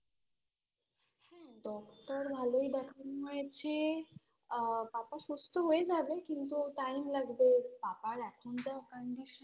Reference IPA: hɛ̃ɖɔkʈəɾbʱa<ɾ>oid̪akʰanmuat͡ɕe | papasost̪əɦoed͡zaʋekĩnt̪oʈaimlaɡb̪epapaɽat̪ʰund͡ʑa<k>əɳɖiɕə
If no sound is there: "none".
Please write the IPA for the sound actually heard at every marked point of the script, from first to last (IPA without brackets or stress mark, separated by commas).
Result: l, k